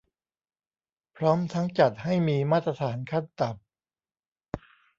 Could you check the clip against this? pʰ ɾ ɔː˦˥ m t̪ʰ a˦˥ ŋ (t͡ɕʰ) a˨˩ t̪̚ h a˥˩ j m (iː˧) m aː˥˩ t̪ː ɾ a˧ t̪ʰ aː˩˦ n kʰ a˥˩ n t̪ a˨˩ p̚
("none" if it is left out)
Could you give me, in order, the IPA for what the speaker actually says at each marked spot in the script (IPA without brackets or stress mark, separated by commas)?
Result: t͡ɕ, iː˧